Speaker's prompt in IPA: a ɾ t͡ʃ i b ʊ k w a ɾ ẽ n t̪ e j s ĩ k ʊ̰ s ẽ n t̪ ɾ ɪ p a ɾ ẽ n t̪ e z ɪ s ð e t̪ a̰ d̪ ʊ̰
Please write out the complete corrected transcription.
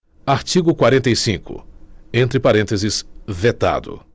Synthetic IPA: a ɾ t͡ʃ i ɡ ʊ k w a ɾ ẽ n t̪ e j s ĩ k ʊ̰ ẽ n t̪ ɾ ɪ p a ɾ ẽ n t̪ e z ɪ s v e t̪ a̰ d̪ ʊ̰